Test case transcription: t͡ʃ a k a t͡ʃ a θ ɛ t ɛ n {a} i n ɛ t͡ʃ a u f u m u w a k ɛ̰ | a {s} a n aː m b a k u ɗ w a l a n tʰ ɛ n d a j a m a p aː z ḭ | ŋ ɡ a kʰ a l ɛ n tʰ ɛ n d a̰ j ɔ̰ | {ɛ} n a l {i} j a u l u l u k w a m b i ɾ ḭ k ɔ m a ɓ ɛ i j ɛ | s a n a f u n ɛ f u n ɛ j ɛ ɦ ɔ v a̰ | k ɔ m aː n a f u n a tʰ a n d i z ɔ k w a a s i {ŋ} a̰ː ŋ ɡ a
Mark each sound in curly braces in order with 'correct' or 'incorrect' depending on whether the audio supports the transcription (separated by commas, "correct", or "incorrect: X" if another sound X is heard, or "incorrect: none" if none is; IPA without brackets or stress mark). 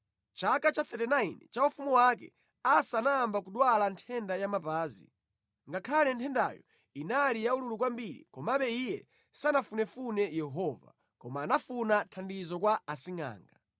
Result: correct, correct, incorrect: i, correct, correct